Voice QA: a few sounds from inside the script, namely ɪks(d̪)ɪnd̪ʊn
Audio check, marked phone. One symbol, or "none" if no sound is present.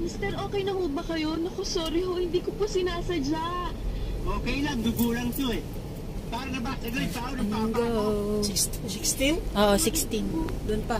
t̪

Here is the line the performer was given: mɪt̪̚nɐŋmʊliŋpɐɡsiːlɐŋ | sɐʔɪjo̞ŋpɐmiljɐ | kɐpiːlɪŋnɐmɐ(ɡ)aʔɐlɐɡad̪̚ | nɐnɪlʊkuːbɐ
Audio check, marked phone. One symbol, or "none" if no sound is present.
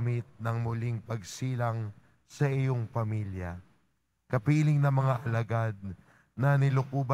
ŋ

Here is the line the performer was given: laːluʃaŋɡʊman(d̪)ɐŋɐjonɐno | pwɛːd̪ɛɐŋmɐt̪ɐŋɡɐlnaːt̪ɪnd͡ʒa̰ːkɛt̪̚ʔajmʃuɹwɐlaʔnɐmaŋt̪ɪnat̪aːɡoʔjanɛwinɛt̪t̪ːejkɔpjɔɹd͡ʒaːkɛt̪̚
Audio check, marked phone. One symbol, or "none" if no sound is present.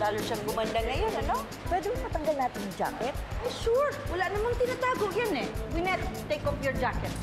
d̪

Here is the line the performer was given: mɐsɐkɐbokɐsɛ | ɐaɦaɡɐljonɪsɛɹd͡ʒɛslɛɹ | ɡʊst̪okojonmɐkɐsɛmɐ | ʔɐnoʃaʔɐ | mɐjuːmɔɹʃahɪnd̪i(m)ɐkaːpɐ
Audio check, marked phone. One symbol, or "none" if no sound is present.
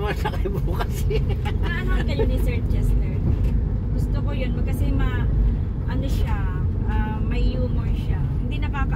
n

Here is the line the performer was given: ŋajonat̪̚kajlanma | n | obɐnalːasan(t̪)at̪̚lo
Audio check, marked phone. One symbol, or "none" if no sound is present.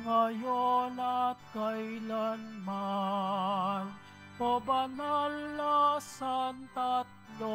t̪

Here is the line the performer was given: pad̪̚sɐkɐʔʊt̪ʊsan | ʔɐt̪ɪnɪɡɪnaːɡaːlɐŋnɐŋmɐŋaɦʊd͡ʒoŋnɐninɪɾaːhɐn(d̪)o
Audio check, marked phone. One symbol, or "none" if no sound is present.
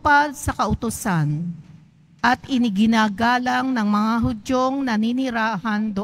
d̪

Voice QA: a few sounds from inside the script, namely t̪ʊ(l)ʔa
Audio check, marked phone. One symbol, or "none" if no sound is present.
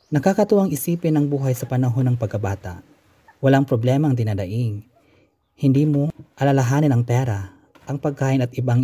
none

